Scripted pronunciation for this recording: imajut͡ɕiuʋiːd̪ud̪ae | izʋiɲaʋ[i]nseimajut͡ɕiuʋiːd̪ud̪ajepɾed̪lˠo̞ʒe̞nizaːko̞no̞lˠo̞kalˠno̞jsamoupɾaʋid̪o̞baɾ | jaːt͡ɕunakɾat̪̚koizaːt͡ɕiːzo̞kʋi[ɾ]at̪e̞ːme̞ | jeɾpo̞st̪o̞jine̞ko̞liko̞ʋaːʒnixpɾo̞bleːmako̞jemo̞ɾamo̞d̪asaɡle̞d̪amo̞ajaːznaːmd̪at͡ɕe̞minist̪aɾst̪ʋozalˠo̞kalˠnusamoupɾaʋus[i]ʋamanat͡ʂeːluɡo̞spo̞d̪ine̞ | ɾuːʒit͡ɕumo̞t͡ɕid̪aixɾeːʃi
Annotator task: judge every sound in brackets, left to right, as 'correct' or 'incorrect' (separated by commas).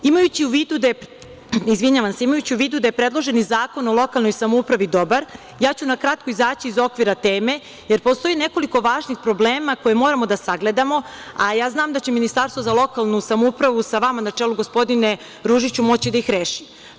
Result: incorrect, correct, incorrect